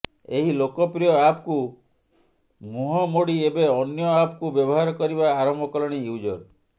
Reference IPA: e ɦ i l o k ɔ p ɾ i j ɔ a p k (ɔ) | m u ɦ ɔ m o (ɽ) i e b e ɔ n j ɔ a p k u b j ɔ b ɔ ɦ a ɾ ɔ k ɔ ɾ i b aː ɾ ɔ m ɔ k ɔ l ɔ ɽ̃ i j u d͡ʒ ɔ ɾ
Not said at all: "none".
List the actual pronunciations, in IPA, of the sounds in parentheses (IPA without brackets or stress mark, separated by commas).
u, ɽ